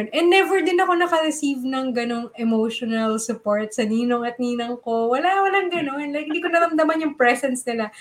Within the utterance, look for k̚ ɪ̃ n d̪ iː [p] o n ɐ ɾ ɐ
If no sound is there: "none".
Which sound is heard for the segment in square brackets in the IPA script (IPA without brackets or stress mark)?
k